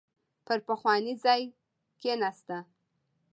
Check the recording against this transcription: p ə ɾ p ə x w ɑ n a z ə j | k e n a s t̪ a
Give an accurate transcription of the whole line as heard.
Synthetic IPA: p ə ɾ p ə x w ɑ n i z ɑ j | k e n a s t̪ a